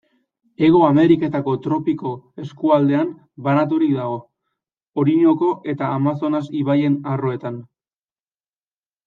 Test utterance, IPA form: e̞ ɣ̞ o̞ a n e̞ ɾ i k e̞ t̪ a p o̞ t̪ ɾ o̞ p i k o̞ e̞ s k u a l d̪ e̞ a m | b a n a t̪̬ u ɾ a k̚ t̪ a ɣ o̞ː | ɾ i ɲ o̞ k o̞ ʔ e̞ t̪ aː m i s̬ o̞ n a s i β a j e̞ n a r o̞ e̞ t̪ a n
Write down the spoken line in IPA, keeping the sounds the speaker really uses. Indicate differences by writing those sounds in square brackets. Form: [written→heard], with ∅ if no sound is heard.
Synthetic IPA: e̞ ɣ̞ o̞ a [n→m] e̞ ɾ i k e̞ t̪ a [p→k] o̞ t̪ ɾ o̞ p i k o̞ e̞ s k u a l d̪ e̞ a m | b a n a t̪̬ u ɾ [a→i] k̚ [t̪→d̪] a ɣ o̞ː | ɾ i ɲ o̞ k o̞ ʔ e̞ t̪ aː m [i→a] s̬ o̞ n a s i β a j e̞ n a r o̞ e̞ t̪ a n